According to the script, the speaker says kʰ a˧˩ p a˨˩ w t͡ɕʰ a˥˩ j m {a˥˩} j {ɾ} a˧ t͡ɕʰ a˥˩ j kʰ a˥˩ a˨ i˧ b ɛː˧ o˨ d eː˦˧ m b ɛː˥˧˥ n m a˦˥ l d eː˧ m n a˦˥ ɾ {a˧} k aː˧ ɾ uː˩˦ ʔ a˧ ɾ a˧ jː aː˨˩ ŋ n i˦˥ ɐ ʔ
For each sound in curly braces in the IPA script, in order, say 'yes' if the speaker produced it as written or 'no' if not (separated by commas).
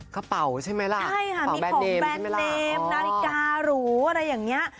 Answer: no, no, no